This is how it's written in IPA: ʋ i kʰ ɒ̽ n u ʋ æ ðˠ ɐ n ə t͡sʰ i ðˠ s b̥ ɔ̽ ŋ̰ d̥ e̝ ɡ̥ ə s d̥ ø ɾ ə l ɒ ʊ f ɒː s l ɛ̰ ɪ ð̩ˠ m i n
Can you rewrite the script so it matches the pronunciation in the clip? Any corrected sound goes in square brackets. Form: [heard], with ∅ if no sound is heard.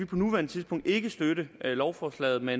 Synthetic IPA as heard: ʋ i [pʰ] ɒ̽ n u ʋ æ [∅] ɐ n ə t͡sʰ i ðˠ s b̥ ɔ̽ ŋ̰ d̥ e̝ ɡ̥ ə s d̥ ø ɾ ə l ɒ ʊ f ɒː s l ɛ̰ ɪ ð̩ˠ m [e] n